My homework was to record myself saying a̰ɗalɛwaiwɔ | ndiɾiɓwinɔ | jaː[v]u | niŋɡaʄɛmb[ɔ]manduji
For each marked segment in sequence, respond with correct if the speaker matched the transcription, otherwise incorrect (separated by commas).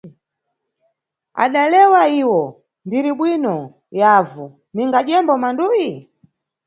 correct, correct